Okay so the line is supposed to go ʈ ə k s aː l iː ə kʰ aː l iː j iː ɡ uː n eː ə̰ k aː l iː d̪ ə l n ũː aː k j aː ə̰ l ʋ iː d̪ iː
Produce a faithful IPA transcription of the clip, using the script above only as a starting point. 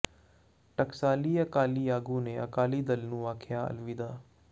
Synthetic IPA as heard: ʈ ə k s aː l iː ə k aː l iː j aː ɡ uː n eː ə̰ k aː l iː d̪ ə l n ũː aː kʰ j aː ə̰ l ʋ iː d̪ aː